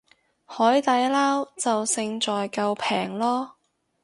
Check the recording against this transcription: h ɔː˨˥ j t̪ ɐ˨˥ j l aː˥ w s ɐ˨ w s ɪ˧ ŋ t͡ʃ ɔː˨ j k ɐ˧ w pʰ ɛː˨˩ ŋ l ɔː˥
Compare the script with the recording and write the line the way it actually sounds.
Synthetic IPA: h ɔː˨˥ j t̪ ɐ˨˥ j l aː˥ w t͡s ɐ˨ w s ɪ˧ ŋ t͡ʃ ɔː˨ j k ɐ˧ w pʰ ɛː˨˩ ŋ l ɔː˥